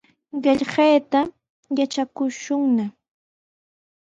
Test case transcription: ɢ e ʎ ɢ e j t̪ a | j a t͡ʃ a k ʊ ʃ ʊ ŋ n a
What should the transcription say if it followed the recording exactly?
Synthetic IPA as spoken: ɢ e ʎ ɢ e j t̪ a | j a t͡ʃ a k ʊ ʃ ʊ ŋ n a